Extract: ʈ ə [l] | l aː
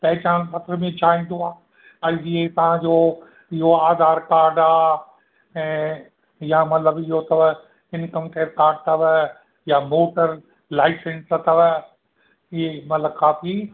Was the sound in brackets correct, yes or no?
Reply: no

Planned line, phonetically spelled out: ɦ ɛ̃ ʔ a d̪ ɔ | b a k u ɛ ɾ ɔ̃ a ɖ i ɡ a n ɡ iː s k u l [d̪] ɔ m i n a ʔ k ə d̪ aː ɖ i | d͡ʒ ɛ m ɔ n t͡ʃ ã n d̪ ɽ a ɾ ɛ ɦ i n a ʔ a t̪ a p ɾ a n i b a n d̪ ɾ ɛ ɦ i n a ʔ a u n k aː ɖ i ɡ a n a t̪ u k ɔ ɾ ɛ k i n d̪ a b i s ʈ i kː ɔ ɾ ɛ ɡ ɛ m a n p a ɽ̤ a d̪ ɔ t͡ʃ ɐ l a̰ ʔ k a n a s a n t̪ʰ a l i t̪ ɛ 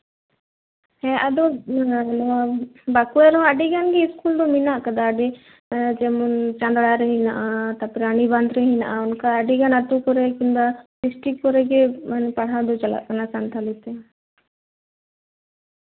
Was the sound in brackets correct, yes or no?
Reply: yes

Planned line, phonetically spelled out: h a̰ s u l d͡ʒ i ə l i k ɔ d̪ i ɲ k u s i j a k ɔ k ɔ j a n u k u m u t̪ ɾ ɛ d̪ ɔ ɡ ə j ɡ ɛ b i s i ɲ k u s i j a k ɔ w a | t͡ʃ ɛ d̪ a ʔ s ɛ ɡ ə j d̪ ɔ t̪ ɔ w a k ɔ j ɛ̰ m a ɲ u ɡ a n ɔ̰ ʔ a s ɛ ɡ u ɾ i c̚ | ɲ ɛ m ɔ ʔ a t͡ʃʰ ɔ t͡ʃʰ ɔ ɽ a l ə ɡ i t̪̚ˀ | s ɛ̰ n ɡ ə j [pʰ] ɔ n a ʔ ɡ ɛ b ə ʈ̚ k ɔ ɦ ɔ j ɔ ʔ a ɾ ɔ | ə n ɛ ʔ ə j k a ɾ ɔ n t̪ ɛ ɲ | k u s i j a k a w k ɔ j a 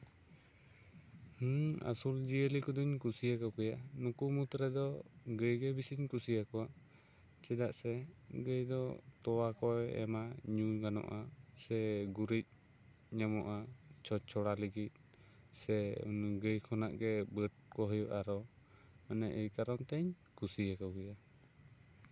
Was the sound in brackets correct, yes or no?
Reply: no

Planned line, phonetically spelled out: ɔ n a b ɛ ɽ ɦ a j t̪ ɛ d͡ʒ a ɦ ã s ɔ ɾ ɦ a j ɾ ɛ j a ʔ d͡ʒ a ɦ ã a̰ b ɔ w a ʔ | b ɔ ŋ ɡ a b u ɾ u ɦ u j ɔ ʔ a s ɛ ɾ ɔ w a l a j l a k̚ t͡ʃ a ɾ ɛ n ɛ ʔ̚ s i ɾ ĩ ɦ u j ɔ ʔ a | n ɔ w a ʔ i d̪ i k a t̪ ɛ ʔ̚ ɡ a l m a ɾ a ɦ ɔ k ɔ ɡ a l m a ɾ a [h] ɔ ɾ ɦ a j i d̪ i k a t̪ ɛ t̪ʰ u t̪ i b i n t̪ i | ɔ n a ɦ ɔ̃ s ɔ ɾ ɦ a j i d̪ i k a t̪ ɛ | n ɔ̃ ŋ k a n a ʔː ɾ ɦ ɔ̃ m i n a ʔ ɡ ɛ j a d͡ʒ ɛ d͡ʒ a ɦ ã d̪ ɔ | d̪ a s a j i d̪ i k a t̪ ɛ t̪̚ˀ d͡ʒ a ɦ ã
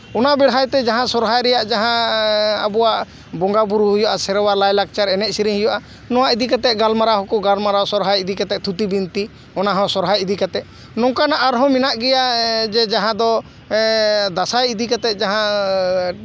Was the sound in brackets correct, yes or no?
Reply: no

